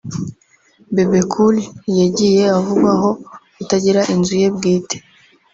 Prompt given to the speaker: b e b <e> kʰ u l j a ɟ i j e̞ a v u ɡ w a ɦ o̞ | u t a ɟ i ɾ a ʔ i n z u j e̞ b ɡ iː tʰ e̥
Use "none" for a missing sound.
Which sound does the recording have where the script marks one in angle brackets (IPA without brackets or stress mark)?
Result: e